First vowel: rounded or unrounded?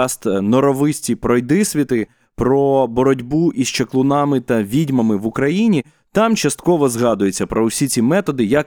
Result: rounded